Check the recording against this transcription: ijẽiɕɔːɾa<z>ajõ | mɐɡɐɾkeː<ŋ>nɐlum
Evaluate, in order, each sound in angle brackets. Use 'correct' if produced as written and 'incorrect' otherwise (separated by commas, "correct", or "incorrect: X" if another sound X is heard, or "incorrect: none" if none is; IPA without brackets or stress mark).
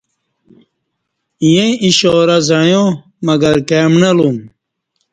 correct, incorrect: m